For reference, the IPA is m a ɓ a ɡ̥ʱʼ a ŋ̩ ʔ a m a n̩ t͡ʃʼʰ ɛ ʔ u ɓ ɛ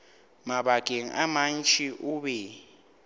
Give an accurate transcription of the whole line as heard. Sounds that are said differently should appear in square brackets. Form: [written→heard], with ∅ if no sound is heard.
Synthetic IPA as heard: m a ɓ a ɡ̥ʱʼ [a→e] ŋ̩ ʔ a m a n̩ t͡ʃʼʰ [ɛ→i] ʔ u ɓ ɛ